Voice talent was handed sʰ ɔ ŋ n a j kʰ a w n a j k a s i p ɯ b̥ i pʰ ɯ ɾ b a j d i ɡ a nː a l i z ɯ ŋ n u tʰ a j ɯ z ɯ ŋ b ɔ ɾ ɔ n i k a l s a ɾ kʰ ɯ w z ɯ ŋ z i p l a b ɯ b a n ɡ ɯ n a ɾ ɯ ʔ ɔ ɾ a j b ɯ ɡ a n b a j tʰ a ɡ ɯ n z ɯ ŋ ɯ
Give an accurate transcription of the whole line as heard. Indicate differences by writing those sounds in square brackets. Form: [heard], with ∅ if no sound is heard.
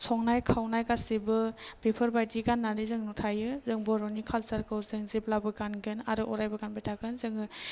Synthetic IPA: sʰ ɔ ŋ n a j kʰ a w n a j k a s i [b] ɯ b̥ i pʰ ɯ ɾ b a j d i ɡ a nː a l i z ɯ ŋ n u tʰ a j ɯ z ɯ ŋ b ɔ ɾ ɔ n i [kʰ] a l s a ɾ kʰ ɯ w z ɯ ŋ z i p l a b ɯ [ɡ] a n ɡ ɯ n a ɾ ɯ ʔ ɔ ɾ a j b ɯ ɡ a n b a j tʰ a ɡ ɯ n z ɯ ŋ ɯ